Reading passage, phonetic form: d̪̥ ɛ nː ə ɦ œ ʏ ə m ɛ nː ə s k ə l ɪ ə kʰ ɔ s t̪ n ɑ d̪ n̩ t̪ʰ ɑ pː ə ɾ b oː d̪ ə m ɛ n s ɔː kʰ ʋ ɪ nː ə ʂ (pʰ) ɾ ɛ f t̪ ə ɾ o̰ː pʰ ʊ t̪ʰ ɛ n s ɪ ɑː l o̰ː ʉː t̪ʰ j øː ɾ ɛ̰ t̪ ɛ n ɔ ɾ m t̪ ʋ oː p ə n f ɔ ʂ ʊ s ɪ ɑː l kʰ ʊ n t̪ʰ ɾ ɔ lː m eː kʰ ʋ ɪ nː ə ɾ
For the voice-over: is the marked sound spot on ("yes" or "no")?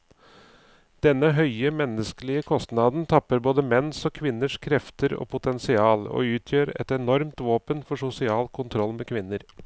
no